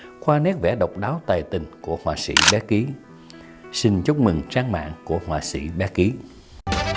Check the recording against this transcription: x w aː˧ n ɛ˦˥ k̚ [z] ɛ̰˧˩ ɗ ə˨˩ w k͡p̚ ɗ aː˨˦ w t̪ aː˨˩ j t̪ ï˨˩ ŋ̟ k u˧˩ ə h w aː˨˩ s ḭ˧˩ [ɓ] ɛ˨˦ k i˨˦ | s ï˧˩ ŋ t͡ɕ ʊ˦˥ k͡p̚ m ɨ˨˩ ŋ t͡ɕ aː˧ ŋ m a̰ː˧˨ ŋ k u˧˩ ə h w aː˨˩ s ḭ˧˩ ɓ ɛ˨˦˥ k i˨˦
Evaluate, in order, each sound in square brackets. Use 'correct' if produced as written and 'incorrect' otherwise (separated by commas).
incorrect, correct